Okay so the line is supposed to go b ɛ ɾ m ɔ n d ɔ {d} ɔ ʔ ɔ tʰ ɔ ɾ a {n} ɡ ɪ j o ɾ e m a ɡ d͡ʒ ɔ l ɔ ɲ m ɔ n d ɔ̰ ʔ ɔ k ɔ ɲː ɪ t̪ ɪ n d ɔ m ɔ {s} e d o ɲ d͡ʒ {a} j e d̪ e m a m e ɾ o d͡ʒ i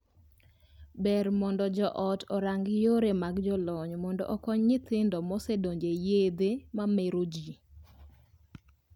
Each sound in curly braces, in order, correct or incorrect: incorrect: d͡ʒ, incorrect: ŋ, correct, incorrect: e

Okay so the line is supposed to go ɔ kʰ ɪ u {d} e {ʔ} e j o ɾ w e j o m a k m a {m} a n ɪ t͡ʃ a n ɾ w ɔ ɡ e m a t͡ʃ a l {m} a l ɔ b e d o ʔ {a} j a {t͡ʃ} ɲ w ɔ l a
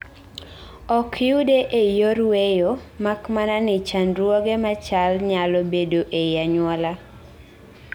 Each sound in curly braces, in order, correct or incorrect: correct, correct, incorrect: n, incorrect: ɲ, incorrect: e, incorrect: none

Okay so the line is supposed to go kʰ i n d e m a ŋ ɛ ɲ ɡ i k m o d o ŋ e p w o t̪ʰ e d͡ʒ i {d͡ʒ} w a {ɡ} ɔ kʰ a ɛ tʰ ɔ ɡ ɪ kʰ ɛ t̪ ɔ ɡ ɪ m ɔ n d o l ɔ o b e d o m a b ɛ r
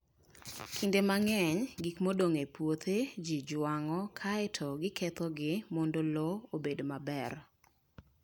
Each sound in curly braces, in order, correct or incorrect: correct, incorrect: ŋ

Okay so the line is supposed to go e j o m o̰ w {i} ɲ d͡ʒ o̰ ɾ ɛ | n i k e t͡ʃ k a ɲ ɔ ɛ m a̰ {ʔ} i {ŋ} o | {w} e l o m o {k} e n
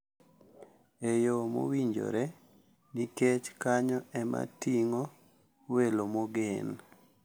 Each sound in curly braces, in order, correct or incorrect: correct, incorrect: t, correct, correct, incorrect: ɡ

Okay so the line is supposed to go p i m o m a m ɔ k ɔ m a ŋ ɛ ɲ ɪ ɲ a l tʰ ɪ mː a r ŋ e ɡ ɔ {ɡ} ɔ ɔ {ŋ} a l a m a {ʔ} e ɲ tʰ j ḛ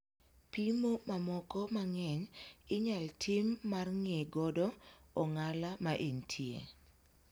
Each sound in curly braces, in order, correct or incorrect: incorrect: d, correct, correct

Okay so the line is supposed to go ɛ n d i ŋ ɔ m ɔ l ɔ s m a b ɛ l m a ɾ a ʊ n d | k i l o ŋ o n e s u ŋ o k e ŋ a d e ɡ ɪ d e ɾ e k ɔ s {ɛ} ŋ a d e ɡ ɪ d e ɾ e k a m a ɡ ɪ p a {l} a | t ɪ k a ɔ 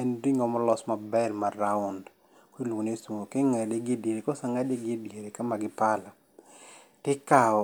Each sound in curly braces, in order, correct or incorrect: incorrect: a, correct

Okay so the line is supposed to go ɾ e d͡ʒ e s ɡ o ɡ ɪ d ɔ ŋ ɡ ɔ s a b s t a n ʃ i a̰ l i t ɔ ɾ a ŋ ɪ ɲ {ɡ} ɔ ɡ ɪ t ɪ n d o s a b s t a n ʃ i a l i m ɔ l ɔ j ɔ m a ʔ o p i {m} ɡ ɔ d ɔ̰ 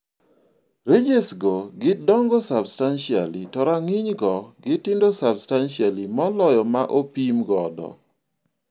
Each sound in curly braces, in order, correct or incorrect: correct, correct

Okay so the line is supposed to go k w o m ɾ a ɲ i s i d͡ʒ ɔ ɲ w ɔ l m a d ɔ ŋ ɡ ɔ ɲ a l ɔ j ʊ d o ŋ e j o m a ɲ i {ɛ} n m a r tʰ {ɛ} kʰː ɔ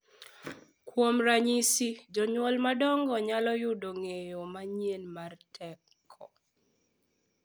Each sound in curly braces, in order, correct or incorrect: incorrect: e, correct

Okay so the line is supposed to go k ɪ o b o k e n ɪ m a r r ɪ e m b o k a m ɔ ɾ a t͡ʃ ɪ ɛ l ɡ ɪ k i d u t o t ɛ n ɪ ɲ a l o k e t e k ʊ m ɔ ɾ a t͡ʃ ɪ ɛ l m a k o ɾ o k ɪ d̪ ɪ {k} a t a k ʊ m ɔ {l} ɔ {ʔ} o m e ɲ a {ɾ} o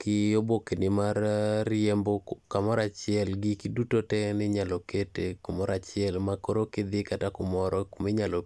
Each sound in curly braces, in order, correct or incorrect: correct, incorrect: ɾ, incorrect: k, incorrect: l

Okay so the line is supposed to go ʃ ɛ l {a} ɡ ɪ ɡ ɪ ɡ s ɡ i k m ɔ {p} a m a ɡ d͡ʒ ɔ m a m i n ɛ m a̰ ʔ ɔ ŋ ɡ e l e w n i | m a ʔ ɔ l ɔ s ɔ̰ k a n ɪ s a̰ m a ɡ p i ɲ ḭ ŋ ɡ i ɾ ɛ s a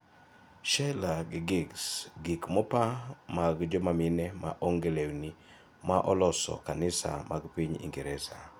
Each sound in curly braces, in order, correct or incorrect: correct, correct

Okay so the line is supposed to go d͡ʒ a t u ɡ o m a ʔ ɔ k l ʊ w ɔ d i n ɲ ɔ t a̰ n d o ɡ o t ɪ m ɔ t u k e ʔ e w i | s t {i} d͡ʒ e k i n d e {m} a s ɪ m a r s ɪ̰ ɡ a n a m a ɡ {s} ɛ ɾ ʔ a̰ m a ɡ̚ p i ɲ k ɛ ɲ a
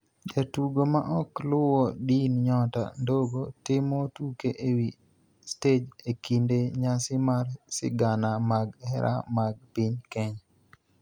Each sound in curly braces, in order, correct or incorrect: incorrect: e, incorrect: ɲ, incorrect: h

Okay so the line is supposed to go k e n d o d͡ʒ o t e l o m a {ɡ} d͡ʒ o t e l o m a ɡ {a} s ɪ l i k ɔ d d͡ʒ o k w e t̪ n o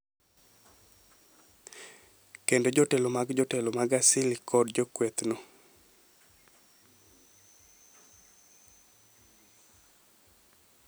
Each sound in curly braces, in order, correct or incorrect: correct, correct

